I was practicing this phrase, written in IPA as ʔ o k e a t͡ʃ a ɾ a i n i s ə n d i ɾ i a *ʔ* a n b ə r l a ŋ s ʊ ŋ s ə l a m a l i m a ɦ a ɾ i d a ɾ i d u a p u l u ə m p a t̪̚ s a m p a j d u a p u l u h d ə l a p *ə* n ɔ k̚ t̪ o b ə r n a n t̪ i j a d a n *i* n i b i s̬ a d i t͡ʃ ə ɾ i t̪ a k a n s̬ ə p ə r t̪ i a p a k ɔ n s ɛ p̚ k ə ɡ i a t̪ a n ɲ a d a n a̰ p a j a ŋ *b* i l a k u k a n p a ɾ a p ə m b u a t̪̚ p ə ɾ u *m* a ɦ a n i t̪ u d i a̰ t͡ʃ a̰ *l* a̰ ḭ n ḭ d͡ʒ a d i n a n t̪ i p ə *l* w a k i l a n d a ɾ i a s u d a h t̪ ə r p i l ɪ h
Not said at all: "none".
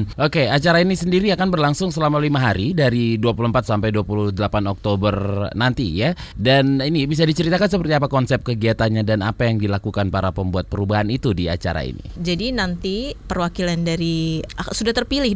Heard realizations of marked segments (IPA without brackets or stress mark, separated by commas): k, a, i, d, b, ɾ, r